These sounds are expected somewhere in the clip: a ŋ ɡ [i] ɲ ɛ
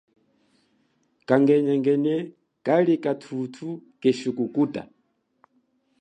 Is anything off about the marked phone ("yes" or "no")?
yes